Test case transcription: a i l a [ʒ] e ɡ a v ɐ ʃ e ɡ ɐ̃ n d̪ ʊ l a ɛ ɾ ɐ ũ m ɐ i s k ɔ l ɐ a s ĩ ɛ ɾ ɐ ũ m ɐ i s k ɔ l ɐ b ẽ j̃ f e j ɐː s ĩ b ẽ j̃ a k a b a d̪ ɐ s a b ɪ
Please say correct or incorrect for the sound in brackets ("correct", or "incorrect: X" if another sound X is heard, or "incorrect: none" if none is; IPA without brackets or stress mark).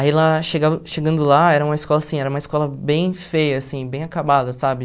incorrect: ʃ